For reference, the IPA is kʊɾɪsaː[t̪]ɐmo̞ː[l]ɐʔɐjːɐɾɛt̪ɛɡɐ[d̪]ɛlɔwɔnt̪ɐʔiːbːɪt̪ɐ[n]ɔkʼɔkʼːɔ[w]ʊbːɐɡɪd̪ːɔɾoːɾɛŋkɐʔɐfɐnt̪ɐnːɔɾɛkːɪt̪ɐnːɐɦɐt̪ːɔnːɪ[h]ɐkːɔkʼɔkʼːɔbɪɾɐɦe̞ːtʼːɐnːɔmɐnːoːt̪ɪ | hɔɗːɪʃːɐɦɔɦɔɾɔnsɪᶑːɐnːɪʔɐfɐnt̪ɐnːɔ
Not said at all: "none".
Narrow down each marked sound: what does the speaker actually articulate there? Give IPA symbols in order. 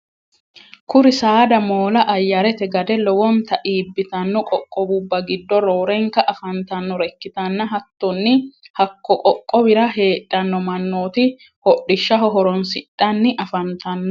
d̪, l, d̪, nː, b, h

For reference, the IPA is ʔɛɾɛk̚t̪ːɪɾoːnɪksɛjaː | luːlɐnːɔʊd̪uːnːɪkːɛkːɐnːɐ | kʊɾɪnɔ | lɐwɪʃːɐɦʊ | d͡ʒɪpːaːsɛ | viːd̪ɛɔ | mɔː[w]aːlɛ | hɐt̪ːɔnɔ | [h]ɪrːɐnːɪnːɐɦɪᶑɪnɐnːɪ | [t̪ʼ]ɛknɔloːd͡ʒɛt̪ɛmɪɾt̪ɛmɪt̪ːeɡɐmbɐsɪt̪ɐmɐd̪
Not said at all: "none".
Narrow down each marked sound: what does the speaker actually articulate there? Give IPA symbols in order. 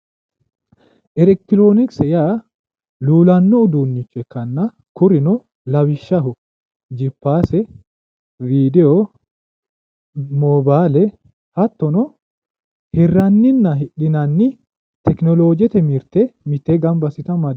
b, h, t̪

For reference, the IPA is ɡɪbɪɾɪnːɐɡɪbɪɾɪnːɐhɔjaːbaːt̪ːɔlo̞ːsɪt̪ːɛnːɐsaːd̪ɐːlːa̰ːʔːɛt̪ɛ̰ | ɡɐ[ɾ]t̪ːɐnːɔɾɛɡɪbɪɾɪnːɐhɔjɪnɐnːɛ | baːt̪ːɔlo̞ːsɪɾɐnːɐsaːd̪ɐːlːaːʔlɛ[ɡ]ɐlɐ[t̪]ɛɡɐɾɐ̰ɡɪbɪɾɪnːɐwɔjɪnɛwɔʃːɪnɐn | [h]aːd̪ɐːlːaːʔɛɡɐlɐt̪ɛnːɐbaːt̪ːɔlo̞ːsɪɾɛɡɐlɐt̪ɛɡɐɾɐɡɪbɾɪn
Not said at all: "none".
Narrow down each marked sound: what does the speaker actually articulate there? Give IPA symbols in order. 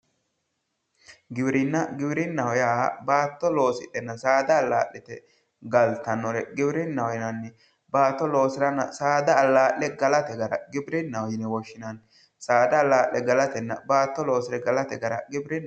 l, ɡ, t̪, s

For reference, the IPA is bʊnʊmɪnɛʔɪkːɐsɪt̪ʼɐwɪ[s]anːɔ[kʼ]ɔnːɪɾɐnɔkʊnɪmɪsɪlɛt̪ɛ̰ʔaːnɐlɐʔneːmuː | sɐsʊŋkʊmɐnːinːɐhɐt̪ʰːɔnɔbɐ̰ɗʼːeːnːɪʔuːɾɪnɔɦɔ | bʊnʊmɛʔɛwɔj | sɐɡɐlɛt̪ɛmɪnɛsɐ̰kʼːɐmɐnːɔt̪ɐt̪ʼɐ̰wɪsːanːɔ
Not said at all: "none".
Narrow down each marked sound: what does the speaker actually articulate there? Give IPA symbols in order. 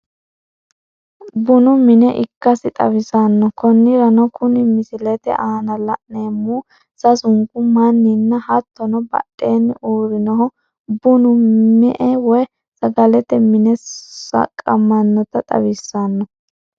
s, k

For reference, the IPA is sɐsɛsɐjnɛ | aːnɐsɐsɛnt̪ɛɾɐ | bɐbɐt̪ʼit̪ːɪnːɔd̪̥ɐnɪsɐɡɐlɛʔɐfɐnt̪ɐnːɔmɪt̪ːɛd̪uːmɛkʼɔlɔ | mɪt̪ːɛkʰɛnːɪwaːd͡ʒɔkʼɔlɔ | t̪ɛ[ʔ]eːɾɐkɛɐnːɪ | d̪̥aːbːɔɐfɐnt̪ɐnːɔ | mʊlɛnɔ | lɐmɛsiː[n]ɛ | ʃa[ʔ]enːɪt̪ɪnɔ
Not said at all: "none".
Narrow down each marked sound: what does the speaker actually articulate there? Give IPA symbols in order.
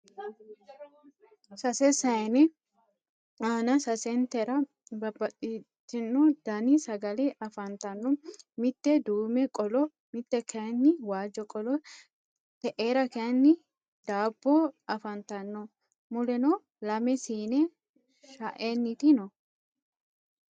ʔ, n, ʔ

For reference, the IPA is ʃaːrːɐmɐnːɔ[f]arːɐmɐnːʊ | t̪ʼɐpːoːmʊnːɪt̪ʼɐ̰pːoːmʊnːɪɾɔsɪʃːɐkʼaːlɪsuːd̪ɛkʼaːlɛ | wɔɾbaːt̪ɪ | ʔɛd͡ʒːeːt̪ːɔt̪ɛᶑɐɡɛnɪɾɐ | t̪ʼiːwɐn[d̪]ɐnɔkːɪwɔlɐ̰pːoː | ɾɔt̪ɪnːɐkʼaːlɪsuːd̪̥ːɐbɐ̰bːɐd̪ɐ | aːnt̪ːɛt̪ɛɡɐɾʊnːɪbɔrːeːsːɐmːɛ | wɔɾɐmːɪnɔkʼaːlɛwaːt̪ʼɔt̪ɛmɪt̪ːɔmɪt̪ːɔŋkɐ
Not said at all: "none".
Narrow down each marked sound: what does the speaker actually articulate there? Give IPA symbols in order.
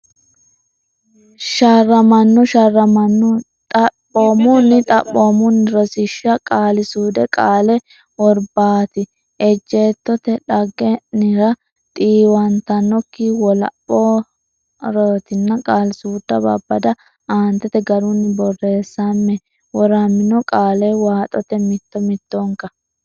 ʃ, t̪

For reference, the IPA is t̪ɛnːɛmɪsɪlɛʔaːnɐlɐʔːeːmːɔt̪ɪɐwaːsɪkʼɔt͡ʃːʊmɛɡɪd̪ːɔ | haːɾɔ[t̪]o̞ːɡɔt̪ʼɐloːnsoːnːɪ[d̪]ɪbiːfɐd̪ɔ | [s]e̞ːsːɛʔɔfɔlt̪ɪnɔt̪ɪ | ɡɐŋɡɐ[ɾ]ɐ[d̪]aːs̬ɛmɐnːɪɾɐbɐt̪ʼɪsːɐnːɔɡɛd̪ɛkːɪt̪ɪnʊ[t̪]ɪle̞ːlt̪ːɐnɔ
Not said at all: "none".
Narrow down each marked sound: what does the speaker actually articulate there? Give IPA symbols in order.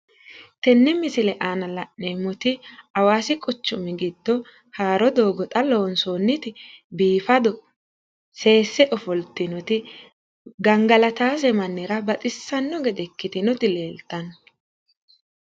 d̪, t̪, s, l, t̪, t̪

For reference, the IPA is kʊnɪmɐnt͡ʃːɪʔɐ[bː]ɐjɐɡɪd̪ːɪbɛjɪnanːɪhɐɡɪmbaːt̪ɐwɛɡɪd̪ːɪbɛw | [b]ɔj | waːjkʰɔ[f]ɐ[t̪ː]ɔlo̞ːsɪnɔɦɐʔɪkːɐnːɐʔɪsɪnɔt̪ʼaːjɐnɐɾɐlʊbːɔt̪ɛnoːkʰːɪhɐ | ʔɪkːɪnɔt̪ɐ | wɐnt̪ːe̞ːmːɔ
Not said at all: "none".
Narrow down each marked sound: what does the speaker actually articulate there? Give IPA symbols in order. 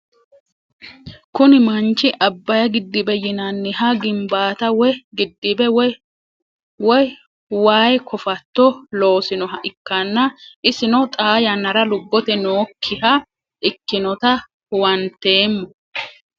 bː, w, f, t̪ː

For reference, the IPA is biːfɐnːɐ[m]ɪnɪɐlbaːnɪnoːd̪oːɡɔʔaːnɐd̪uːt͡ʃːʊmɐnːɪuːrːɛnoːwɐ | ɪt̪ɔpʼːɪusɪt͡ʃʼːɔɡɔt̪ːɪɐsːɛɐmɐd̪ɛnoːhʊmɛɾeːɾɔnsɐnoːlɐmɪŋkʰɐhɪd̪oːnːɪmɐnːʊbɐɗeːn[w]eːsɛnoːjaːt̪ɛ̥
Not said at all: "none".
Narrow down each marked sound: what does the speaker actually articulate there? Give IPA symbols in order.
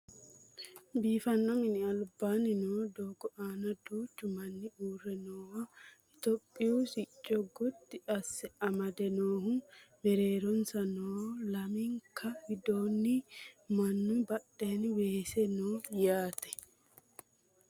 m, w

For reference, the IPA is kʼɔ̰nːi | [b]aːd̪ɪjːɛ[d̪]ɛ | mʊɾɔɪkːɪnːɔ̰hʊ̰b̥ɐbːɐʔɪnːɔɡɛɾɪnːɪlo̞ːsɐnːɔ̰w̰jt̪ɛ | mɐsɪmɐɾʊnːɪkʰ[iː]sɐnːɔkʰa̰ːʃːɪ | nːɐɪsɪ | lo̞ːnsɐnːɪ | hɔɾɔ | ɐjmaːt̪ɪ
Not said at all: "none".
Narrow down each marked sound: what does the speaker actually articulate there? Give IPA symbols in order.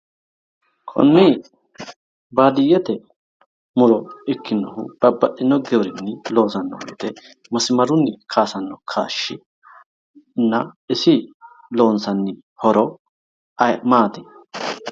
b, t̪, aː

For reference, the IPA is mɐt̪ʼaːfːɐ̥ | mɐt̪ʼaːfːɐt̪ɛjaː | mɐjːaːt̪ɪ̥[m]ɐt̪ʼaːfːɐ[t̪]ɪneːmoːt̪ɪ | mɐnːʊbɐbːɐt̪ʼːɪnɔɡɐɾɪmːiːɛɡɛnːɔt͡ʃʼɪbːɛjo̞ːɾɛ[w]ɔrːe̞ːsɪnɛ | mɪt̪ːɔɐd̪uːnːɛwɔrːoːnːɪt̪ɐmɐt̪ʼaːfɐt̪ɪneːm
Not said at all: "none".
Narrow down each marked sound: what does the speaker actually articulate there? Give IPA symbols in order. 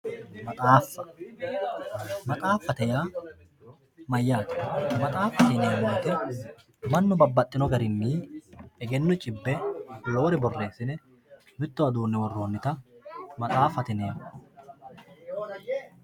m, t̪, b

